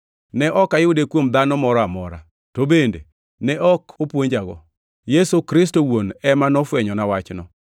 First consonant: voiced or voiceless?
voiced